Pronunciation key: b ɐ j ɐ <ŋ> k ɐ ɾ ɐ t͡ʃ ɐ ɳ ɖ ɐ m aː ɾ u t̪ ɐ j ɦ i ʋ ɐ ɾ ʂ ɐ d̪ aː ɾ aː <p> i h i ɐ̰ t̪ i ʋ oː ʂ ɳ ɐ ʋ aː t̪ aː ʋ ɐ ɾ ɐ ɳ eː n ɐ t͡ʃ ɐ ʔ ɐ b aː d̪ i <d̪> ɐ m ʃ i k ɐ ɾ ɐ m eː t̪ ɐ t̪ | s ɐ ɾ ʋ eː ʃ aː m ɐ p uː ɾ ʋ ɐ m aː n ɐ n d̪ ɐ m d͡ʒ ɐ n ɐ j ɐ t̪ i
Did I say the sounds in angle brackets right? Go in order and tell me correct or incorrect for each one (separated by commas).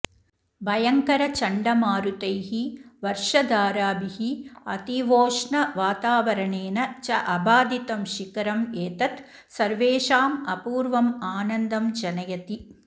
correct, incorrect, incorrect